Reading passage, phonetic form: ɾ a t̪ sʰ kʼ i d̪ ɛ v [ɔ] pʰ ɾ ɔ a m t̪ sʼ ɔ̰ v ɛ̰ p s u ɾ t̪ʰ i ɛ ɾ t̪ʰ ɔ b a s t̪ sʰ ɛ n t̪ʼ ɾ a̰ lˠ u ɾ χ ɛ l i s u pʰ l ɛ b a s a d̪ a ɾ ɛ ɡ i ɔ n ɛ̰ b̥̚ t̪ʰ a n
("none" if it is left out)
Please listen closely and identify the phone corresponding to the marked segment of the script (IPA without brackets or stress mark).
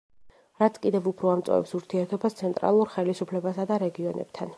u